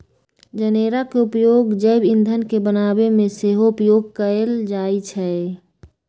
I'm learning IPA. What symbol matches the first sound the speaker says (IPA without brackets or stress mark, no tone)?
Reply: d͡ʒ